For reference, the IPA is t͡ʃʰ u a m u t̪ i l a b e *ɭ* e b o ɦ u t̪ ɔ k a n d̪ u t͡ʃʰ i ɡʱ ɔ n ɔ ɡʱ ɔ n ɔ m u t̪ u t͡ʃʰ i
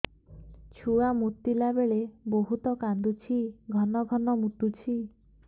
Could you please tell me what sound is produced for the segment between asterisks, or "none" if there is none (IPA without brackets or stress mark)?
ɭ